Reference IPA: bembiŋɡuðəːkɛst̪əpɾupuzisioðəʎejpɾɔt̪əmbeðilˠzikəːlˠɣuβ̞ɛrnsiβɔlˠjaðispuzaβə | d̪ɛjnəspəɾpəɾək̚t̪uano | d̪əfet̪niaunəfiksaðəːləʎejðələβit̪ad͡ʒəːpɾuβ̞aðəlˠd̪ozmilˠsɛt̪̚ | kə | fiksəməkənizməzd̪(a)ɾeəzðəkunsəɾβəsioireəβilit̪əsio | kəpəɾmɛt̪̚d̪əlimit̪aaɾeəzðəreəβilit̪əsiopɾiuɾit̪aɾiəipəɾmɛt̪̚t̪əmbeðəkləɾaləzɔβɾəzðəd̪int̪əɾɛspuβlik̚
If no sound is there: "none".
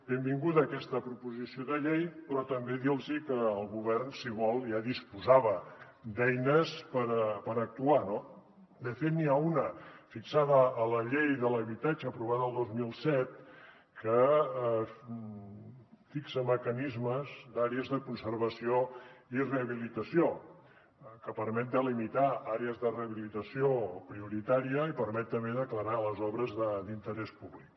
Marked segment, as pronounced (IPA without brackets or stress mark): a